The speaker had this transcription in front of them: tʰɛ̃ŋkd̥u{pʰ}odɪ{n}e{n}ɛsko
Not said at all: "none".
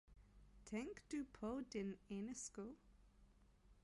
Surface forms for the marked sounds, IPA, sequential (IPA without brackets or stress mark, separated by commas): pʰ, n, n